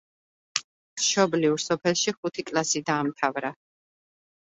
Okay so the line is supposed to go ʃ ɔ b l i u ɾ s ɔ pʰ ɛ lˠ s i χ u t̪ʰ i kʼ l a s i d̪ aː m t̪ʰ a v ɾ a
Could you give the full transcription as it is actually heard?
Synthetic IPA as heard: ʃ ɔ b l i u ɾ s ɔ pʰ ɛ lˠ ʃ i χ u t̪ʰ i kʼ l a s i d̪ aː m t̪ʰ a v ɾ a